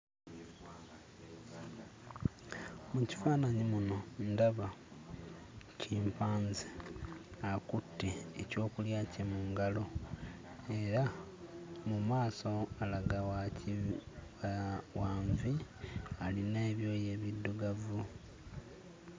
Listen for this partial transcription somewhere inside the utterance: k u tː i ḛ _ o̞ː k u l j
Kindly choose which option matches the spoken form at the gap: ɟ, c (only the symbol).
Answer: c